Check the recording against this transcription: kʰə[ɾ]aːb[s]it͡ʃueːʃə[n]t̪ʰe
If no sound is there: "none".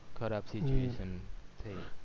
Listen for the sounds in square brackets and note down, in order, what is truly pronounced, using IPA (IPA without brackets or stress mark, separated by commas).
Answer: ɾ, s, n